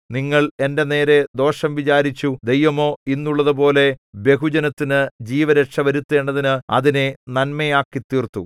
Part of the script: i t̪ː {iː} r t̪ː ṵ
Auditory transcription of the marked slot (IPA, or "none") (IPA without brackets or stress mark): iː